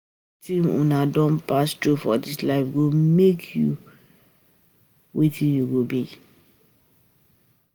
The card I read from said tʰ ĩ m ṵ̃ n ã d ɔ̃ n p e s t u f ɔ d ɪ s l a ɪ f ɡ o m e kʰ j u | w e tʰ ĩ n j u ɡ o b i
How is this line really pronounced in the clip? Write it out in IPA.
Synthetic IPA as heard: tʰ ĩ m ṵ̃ n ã d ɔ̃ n p a s t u f ɔ d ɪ s l a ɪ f ɡ o m e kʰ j u | w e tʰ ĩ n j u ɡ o b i